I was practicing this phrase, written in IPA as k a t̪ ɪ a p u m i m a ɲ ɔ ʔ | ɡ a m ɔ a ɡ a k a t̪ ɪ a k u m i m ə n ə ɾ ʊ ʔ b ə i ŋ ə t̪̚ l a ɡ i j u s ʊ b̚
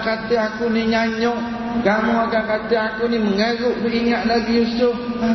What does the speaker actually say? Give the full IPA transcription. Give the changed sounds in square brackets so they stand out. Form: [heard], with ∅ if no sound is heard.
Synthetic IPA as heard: k a t̪ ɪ a [k] u [n] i [ɲ] a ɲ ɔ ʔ | ɡ a m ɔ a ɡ a k a t̪ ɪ a k u [n] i m ə [ŋ] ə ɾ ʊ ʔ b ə i ŋ [a] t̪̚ l a ɡ i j u s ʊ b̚